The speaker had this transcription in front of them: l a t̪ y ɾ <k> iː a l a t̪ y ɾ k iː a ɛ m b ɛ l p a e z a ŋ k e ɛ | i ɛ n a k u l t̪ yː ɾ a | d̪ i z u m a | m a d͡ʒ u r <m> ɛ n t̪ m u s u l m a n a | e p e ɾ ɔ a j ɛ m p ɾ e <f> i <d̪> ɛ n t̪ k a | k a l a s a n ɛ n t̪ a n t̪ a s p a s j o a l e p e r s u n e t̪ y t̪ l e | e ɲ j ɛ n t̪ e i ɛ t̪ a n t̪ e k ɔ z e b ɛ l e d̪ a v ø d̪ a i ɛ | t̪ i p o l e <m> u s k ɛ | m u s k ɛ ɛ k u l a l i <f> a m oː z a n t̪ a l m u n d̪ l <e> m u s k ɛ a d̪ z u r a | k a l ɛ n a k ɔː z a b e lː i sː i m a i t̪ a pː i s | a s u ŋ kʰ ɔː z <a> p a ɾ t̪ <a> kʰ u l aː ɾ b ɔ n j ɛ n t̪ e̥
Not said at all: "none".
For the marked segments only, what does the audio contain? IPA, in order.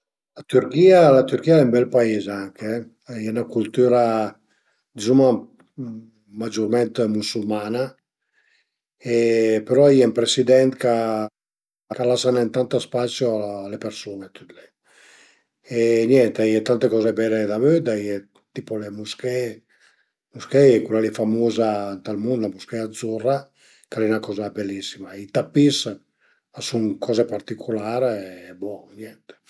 k, m, s, d̪, m, f, a, e, i

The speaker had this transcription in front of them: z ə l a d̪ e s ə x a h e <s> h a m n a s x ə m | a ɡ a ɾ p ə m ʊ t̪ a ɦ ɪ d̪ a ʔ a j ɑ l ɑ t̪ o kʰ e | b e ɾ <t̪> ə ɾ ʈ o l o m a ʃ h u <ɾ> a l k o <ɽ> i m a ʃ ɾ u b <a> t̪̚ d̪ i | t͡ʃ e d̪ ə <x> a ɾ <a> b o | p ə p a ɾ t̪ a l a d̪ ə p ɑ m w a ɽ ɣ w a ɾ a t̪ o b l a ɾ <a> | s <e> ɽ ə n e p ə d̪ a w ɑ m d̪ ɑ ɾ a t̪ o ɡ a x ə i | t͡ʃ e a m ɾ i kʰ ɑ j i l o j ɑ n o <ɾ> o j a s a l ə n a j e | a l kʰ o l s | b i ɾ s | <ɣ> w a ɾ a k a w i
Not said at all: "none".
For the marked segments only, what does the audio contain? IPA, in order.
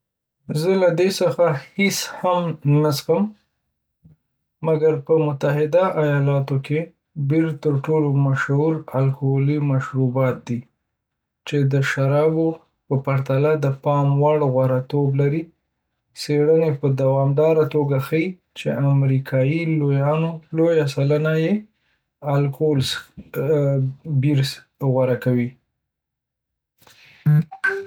s, t̪, ɾ, l, ɑ, ʃ, ɑ, i, e, l, ɣ

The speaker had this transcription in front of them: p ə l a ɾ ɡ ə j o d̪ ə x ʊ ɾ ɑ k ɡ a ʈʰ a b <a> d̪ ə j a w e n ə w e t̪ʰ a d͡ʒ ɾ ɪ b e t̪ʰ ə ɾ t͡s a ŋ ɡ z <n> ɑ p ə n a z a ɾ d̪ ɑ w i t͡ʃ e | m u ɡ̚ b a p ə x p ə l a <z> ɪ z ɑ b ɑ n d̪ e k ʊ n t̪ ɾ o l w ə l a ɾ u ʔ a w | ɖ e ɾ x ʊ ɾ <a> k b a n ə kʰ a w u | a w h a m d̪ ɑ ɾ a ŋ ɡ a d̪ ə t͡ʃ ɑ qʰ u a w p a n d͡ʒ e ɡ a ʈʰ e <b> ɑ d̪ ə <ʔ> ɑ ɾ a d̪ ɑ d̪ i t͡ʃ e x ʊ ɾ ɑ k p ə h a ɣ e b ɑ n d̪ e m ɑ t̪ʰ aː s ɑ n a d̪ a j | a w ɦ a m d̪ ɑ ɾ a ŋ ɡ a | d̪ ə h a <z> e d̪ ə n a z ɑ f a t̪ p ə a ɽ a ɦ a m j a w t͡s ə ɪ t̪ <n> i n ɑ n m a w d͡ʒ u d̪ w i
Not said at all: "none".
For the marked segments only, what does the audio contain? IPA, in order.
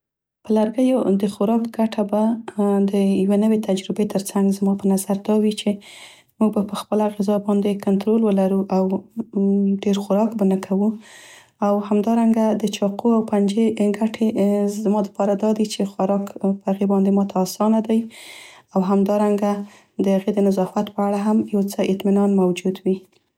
a, m, ɣ, ɑ, m, p, ɣ, m

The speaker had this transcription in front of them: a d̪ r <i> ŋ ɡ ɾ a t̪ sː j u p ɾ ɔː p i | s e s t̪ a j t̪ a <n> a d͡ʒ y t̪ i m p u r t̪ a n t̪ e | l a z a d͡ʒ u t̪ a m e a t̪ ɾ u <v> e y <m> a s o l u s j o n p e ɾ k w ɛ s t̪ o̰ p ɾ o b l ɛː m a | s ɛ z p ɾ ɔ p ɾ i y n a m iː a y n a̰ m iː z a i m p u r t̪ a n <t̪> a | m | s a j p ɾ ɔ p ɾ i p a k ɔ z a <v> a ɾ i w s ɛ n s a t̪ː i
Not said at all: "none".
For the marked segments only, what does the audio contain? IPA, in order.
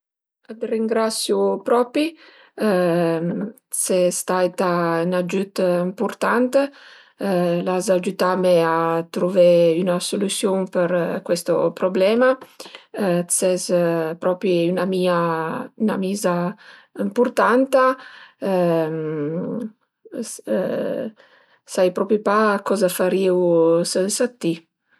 i, n, v, n, t̪, f

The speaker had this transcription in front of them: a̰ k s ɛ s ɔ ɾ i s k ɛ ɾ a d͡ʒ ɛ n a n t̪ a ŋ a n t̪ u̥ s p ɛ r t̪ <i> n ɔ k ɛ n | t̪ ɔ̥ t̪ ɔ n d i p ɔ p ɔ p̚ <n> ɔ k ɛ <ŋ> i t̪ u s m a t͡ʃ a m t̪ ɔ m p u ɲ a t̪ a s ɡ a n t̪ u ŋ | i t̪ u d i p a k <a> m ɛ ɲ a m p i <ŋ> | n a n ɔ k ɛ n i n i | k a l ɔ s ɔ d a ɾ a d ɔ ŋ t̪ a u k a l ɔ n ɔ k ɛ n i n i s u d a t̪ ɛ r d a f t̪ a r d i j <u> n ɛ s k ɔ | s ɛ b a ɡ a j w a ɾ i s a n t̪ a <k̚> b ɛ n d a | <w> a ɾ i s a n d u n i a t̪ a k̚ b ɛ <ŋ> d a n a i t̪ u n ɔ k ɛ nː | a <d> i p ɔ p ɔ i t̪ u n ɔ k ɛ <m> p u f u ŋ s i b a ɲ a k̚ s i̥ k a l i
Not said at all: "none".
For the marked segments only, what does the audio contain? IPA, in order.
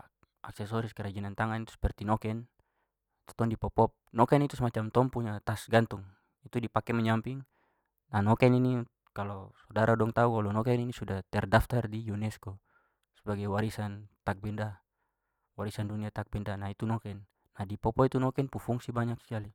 i, n, n, ɛ, ŋ, u, k̚, w, n, d, n

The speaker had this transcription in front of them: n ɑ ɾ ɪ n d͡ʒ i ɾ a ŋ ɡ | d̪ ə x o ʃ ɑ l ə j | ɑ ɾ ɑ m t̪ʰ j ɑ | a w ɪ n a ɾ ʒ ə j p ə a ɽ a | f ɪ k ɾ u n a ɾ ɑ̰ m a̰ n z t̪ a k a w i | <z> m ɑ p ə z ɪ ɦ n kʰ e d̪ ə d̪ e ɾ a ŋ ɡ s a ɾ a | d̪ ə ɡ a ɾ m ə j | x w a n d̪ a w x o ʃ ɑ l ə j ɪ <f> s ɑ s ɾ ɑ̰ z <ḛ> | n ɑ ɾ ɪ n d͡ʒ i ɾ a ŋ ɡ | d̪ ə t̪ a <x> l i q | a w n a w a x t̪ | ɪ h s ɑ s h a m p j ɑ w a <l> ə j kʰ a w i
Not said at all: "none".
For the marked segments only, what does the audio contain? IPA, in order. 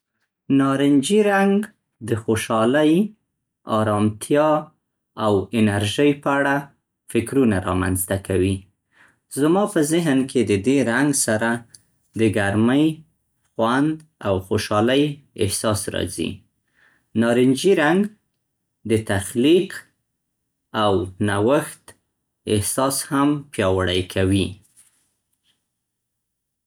z, h, ḭ, x, ɽ

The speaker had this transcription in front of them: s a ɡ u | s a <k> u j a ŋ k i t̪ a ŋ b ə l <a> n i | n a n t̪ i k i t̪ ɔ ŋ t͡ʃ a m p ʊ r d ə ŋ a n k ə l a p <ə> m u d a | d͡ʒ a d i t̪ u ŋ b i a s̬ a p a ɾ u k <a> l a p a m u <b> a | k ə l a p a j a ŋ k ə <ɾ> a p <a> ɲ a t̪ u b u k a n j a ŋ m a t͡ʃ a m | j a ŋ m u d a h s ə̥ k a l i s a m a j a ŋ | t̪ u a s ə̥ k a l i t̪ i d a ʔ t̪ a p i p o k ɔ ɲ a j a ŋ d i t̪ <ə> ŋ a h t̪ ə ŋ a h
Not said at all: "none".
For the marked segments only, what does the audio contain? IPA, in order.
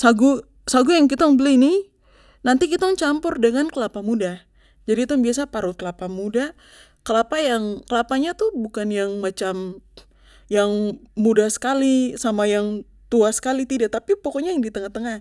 ɡ, i, a, ə, d, l, a, ə

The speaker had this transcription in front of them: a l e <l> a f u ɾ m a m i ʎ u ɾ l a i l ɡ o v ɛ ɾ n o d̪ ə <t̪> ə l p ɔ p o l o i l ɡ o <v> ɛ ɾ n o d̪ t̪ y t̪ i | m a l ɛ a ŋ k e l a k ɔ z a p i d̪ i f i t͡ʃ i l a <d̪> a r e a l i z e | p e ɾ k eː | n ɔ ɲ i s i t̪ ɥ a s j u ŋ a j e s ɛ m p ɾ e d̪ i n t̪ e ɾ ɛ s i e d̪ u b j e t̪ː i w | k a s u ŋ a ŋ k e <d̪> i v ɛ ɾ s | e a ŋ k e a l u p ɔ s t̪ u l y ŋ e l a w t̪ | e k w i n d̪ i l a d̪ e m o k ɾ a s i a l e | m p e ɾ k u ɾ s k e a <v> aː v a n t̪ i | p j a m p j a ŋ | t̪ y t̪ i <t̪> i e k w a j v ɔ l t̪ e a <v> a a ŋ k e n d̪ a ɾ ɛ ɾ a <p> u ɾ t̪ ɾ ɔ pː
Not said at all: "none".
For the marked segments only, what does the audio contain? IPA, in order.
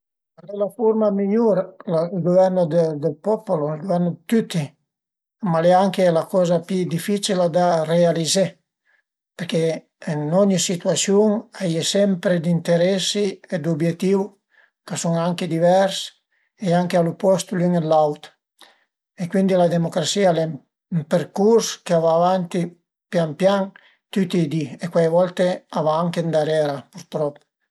l, d̪, v, d̪, d̪, v, d̪, v, p

